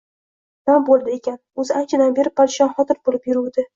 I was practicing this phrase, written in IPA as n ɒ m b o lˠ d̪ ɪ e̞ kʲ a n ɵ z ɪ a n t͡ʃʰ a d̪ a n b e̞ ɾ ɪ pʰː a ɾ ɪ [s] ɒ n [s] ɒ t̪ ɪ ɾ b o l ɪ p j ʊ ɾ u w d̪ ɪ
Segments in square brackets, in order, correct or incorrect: incorrect, incorrect

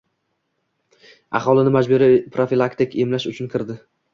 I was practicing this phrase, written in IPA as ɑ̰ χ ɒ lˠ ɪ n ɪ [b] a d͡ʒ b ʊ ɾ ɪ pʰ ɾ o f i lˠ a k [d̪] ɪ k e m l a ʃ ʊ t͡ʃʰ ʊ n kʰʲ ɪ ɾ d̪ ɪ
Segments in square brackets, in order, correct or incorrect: incorrect, incorrect

